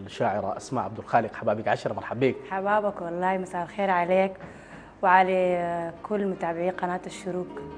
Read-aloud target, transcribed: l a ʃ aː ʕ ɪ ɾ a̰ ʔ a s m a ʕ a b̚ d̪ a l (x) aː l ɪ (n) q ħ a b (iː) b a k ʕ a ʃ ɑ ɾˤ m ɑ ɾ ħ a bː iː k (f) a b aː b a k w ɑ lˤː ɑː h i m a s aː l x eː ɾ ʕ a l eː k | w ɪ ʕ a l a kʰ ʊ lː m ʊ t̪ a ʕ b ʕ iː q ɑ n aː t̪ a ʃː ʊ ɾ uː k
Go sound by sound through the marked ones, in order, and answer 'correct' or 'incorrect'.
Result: correct, incorrect: none, incorrect: aː, incorrect: ħ

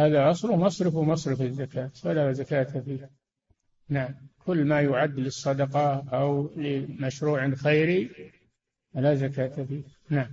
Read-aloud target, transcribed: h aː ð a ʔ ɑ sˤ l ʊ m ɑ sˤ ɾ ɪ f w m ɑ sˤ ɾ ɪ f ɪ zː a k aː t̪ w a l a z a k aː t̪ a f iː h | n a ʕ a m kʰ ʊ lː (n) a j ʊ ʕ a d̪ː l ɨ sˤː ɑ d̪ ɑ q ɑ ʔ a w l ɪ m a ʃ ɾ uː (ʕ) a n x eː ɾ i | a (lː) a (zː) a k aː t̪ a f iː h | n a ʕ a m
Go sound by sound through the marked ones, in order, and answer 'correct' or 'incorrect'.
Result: incorrect: m, correct, incorrect: l, incorrect: z

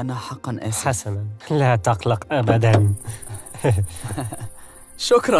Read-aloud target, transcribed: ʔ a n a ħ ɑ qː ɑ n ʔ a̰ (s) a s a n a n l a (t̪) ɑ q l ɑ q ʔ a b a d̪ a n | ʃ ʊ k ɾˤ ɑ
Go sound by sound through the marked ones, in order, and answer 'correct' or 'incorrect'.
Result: incorrect: ħ, correct

